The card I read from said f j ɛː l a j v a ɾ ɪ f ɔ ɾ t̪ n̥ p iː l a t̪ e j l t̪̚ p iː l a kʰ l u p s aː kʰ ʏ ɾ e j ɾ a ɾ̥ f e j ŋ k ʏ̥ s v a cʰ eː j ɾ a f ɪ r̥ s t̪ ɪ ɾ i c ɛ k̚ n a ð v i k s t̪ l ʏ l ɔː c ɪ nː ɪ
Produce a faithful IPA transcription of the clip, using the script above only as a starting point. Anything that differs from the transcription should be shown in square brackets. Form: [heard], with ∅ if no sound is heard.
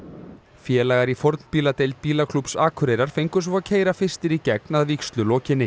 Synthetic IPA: f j ɛː l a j [ɣ] a ɾ [i] f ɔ ɾ t̪ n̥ p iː l a t̪ e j l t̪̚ p iː l a kʰ l u p s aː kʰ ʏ ɾ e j ɾ a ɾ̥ f e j ŋ k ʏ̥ s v a cʰ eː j ɾ a f ɪ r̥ s t̪ ɪ ɾ i c ɛ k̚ n a ð v i k s t̪ l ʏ l ɔː c ɪ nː ɪ